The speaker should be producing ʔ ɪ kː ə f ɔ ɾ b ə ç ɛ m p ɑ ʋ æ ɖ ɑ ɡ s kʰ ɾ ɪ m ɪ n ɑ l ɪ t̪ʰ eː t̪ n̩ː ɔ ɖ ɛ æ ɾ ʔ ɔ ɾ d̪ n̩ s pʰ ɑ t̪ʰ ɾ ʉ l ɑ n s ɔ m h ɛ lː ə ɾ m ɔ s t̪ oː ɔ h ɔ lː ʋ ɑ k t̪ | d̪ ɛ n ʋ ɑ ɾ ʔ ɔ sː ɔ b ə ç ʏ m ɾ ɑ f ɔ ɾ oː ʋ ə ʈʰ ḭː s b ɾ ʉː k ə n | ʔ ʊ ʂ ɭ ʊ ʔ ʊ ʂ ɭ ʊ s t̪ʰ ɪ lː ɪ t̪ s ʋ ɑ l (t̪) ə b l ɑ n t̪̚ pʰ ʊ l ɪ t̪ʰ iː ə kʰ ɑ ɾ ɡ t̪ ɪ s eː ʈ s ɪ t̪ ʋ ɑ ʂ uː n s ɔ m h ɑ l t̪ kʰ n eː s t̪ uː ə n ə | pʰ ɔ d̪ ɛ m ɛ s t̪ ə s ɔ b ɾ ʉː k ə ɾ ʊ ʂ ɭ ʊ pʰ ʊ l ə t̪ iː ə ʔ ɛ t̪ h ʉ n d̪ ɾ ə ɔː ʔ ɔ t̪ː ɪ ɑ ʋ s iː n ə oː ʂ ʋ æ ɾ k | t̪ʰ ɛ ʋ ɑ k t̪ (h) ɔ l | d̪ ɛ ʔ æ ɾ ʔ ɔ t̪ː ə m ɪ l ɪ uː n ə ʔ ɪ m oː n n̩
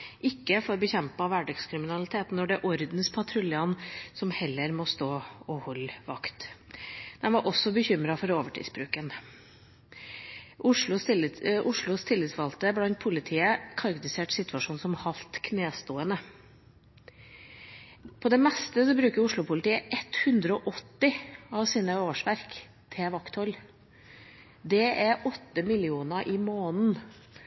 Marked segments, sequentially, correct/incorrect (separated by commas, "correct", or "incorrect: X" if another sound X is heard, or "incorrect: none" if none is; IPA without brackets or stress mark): correct, correct